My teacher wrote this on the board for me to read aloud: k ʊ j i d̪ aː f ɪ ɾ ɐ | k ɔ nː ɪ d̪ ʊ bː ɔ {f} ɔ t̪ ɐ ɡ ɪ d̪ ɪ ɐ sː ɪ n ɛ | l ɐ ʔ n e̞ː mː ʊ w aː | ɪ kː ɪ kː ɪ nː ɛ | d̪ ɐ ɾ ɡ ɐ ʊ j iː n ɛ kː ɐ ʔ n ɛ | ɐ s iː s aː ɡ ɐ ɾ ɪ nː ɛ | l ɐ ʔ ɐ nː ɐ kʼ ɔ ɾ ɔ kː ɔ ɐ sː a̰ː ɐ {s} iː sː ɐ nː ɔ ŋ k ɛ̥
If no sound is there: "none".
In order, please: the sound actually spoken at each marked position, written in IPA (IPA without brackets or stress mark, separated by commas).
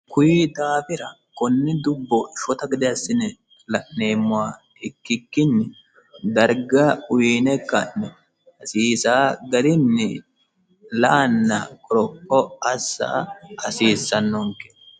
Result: ʃ, s